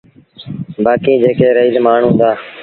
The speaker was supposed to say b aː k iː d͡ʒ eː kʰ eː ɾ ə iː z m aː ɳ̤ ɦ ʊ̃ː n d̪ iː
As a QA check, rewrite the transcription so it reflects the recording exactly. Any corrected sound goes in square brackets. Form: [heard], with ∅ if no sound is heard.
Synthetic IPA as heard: b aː k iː d͡ʒ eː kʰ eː ɾ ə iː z m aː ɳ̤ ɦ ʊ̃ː n d̪ [aː]